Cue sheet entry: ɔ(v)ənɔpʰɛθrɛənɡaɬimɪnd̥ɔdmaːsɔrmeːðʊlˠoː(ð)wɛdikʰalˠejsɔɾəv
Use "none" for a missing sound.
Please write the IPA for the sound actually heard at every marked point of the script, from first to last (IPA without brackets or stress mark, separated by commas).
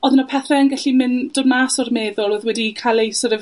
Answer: ð, ð